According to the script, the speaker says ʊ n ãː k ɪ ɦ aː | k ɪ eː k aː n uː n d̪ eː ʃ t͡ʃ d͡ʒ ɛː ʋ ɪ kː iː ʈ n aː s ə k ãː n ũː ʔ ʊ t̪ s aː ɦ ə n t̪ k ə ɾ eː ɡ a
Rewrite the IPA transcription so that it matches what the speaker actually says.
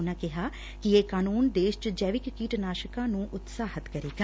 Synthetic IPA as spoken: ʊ n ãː k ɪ ɦ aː | k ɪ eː k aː n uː n d̪ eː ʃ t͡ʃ d͡ʒ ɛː ʋ ɪ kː iː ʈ n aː ʃ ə k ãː n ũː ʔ ʊ t̪ s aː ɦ ə t̪ k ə ɾ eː ɡ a